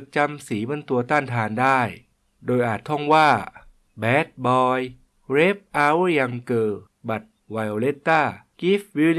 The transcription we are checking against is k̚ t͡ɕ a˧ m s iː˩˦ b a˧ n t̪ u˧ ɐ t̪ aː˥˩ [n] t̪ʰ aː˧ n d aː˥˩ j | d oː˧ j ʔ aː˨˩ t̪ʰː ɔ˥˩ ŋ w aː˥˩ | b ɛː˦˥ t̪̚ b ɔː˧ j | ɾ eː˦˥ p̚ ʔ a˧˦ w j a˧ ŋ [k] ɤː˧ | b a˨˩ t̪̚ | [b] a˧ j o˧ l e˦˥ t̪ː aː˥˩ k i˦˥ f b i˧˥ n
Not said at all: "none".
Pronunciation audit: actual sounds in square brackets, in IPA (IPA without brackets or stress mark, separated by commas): n, k, w